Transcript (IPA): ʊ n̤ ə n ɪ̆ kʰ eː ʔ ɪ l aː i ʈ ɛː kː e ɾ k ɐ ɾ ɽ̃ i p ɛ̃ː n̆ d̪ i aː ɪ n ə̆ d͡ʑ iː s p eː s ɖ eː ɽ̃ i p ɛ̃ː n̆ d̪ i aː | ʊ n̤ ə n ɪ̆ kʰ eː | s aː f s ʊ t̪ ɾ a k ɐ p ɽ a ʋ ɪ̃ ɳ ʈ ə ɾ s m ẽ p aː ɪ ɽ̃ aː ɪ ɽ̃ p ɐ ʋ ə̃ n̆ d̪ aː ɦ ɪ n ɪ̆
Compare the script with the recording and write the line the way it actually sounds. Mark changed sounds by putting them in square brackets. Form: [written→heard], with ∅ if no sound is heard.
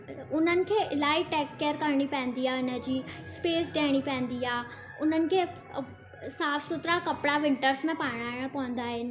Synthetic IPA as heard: ʊ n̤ ə n ɪ̆ kʰ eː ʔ ɪ l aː i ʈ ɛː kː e ɾ k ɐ ɾ ɽ̃ i p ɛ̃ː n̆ d̪ i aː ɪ n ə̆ d͡ʑ iː s p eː s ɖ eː ɽ̃ i p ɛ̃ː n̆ d̪ i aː | ʊ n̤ ə n ɪ̆ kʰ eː | s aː f s ʊ t̪ ɾ a k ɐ p ɽ a ʋ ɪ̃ ɳ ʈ ə ɾ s m ẽ p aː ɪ ɽ̃ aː ɪ ɽ̃ p ɐ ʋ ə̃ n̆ d̪ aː ɦ ɪ n ɪ̆

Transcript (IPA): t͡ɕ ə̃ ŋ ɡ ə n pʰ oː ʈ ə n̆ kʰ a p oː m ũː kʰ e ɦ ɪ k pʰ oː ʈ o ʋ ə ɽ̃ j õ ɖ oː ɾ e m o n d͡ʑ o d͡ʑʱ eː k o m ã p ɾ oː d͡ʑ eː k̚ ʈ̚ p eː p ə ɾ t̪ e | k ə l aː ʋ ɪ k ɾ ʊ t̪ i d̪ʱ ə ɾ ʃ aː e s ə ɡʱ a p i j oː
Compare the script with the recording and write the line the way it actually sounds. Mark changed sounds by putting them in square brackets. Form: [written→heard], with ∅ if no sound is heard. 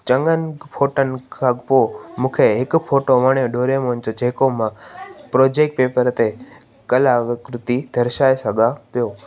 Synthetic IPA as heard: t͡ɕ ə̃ ŋ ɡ ə n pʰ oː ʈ ə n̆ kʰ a p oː m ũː kʰ e ɦ ɪ k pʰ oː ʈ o ʋ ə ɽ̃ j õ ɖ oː ɾ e m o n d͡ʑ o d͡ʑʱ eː k o m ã p ɾ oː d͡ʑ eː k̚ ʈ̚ p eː p ə ɾ t̪ e | k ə l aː ʋ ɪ k ɾ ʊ t̪ i d̪ʱ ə ɾ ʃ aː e s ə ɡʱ a p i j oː

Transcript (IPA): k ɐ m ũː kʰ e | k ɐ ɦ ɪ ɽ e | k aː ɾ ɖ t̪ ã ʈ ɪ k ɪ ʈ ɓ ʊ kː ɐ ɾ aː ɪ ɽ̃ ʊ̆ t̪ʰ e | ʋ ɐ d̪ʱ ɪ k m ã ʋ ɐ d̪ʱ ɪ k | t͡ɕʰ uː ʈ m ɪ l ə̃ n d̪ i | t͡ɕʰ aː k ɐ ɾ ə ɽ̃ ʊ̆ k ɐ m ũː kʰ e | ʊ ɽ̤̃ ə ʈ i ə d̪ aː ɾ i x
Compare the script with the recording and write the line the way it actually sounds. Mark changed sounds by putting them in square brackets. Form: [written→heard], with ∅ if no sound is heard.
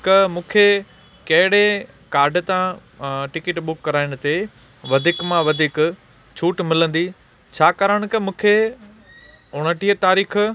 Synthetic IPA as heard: k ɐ m ũː kʰ e | k ɐ ɦ ɪ ɽ e | k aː ɾ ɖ t̪ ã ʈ ɪ k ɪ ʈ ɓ ʊ kː ɐ ɾ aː ɪ ɽ̃ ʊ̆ [t̪ʰ→t̪] e | ʋ ɐ d̪ʱ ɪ k m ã ʋ ɐ d̪ʱ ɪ k | t͡ɕʰ uː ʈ m ɪ l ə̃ n d̪ i | t͡ɕʰ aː k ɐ ɾ ə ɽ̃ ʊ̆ k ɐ m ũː kʰ e | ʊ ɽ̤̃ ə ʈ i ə [d̪→t̪] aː ɾ [i→iː] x

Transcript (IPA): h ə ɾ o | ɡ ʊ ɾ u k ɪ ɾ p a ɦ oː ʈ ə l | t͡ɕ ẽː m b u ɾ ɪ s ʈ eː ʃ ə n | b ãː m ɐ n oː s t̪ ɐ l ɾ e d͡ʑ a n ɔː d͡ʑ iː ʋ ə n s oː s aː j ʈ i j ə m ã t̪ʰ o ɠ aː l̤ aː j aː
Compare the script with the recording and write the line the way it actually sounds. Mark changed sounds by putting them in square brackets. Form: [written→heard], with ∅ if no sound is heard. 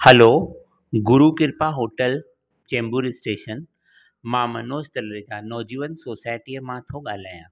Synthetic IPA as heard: h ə [ɾ→l] o | ɡ ʊ ɾ u k ɪ ɾ p a ɦ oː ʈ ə l | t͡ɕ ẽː m b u ɾ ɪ s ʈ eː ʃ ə n | [b→m] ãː m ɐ n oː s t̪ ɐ l ɾ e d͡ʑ a n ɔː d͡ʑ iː ʋ ə n s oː s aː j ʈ i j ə m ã t̪ʰ o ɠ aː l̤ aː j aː

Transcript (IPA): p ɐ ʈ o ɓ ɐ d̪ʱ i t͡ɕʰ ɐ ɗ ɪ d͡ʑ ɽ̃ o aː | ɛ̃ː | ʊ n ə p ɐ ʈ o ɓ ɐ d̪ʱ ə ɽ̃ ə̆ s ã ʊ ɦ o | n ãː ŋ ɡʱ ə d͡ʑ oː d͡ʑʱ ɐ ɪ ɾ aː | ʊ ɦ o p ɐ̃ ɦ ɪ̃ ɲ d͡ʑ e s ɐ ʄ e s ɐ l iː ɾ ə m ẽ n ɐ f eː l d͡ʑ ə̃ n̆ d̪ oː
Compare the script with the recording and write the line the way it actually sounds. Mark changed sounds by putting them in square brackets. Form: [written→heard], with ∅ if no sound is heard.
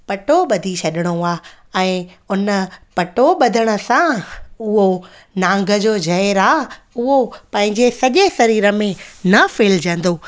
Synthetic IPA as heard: p ɐ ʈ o ɓ ɐ d̪ʱ i t͡ɕʰ ɐ ɗ ɪ [d͡ʑ→∅] ɽ̃ o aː | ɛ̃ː | ʊ n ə p ɐ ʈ o ɓ ɐ d̪ʱ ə ɽ̃ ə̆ s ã ʊ ɦ o | n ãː ŋ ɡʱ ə d͡ʑ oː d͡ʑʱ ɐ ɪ ɾ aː | ʊ ɦ o p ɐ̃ ɦ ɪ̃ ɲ d͡ʑ e s ɐ ʄ e s ɐ [l→ɾ] iː ɾ ə m ẽ n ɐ f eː l d͡ʑ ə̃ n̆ d̪ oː

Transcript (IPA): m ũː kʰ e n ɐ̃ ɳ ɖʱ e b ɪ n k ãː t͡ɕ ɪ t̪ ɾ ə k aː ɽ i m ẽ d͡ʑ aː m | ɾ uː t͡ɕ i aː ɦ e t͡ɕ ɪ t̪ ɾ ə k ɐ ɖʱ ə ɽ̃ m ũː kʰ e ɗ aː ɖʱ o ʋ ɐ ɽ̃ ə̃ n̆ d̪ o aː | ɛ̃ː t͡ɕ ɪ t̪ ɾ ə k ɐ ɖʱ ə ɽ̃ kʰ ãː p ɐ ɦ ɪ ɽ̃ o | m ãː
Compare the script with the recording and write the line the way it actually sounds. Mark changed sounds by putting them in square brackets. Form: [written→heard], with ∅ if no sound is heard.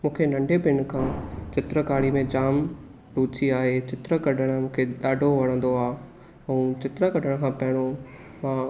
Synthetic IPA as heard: m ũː kʰ e n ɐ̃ ɳ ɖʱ e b ɪ n [k→kʰ] ãː t͡ɕ ɪ t̪ ɾ ə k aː ɽ i m ẽ d͡ʑ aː m | ɾ uː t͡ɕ i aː ɦ e t͡ɕ ɪ t̪ ɾ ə k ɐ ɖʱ ə ɽ̃ m ũː kʰ e ɗ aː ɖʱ o ʋ ɐ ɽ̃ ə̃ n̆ d̪ o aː | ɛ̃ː t͡ɕ ɪ t̪ ɾ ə k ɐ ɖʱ ə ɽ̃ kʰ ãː p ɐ ɦ ɪ ɽ̃ o | m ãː

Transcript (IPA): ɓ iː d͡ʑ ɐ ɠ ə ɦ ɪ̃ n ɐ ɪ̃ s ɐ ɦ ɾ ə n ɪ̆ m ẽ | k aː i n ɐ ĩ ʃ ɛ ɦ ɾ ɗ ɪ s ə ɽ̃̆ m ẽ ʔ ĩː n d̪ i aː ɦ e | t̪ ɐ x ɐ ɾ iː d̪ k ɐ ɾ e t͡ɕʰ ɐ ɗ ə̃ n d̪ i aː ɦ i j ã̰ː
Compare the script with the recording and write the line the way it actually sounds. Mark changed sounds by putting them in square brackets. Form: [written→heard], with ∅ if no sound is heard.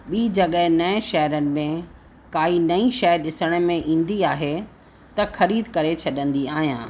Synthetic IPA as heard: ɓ iː d͡ʑ ɐ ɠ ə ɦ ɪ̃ n ɐ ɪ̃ [s→ʃ] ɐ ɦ ɾ ə n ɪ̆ m ẽ | k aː i n ɐ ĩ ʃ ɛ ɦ ɾ ɗ ɪ s ə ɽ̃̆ m ẽ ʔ ĩː n d̪ i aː ɦ e | t̪ ɐ x ɐ ɾ iː d̪ k ɐ ɾ e t͡ɕʰ ɐ ɗ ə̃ n d̪ i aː ɦ i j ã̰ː

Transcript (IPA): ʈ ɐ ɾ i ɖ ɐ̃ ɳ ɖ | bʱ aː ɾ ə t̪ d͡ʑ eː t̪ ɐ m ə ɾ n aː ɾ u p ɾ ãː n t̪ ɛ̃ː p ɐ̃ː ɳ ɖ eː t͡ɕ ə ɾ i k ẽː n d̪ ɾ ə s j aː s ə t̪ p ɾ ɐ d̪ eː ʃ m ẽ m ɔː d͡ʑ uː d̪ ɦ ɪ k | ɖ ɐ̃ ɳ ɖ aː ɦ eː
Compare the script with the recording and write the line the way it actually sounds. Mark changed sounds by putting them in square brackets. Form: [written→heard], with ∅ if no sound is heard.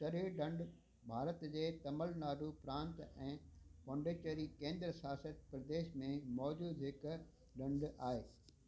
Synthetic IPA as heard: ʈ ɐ ɾ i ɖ ɐ̃ ɳ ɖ | bʱ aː ɾ ə t̪ d͡ʑ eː t̪ ɐ m ə [ɾ→l] n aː ɾ u p ɾ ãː n t̪ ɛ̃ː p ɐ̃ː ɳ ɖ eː t͡ɕ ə ɾ i k ẽː n d̪ ɾ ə s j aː s ə t̪ p ɾ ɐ d̪ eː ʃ m ẽ m ɔː d͡ʑ uː d̪ ɦ ɪ k | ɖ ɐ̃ ɳ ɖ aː ɦ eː

